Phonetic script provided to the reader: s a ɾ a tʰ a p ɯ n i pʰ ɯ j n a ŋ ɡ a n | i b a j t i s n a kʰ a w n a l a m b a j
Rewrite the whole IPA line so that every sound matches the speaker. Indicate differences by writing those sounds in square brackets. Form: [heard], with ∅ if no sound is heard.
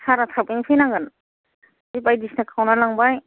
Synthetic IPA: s a ɾ a tʰ a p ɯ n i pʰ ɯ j n a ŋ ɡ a n | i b a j [d] i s n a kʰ a w n a l a [ŋ] b a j